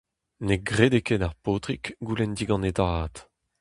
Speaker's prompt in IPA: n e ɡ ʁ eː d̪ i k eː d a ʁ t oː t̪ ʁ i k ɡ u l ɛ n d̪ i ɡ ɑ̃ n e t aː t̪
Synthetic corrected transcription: n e ɡ ʁ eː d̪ e k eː d a ʁ p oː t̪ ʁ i k ɡ u l ɛ n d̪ i ɡ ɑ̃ n e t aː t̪